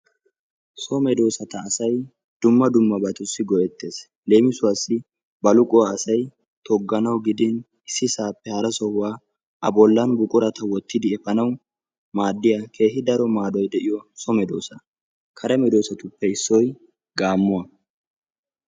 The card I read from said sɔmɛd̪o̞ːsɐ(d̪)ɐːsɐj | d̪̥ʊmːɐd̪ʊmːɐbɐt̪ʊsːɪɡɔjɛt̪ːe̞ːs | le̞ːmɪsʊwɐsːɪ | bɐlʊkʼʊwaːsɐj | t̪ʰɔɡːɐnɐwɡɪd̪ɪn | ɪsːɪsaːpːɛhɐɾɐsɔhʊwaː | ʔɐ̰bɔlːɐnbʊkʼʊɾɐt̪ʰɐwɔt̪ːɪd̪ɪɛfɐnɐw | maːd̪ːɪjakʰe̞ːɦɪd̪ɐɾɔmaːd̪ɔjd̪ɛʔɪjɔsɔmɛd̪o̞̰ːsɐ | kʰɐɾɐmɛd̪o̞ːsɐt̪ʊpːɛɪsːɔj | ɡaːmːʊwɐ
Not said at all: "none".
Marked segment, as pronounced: t̪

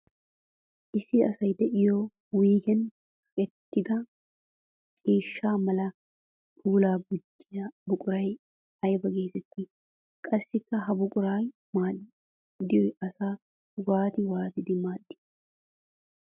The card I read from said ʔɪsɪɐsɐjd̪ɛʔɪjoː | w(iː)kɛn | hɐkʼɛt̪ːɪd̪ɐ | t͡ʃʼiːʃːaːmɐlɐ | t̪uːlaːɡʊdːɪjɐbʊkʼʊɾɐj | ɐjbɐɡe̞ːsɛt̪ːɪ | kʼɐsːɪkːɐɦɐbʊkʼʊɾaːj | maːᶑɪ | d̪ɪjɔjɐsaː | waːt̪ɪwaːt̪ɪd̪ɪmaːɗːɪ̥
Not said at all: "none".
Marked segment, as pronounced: iː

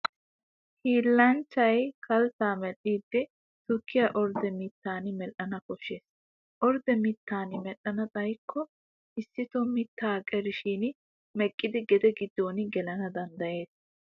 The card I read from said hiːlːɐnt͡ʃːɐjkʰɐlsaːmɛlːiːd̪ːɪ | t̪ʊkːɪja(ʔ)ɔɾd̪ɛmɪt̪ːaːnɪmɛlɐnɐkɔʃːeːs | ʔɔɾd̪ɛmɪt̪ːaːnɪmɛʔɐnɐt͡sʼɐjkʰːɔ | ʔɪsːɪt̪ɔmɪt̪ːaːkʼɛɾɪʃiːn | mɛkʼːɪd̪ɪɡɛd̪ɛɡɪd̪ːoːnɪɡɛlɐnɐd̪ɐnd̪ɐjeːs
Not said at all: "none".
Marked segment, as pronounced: ʔ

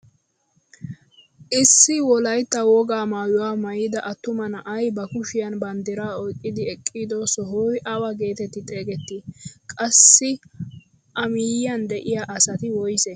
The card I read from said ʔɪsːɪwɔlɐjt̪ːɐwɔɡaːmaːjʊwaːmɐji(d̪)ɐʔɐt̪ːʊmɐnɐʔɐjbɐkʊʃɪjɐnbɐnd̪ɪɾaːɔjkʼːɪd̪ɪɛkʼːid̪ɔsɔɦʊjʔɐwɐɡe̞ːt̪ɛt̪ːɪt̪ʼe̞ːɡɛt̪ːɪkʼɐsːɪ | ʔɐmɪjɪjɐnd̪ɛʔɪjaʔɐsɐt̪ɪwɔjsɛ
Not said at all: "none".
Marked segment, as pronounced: d̪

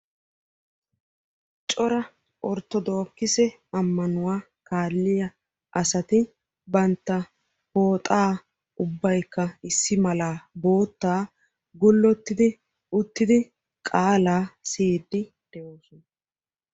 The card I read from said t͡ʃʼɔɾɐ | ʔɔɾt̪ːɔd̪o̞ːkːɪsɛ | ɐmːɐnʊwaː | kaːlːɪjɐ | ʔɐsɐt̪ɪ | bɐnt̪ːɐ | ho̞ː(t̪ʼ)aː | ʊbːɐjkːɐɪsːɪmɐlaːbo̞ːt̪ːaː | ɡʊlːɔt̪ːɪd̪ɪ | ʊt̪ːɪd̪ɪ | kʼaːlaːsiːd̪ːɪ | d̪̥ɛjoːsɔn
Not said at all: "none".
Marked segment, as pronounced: t̪ʼ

